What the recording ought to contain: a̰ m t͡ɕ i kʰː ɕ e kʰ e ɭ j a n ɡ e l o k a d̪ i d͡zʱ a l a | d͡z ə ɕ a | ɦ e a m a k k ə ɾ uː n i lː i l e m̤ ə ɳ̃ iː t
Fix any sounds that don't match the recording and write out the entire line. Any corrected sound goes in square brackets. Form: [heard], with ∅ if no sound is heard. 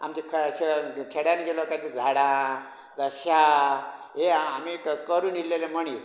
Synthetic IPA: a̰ m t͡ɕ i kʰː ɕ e kʰ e [ɽ] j a n ɡ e l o k a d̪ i d͡zʱ a [ɽ] a | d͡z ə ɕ a | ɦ e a m [i] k k ə ɾ uː n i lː [e] l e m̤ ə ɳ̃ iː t